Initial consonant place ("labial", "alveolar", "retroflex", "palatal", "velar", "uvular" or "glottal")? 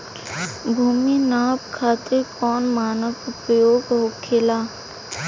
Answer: labial